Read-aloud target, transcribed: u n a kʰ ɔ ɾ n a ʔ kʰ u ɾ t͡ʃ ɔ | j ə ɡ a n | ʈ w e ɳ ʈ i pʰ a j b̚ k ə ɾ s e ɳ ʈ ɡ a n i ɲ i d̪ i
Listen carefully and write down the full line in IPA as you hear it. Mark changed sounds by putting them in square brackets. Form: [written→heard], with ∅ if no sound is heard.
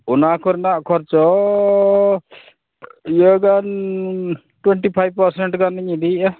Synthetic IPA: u n a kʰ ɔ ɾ n a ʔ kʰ [u→ɔ] ɾ t͡ʃ ɔ | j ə ɡ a n | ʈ w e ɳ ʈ i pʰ a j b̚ [k→p] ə ɾ s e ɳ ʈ ɡ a n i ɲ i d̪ i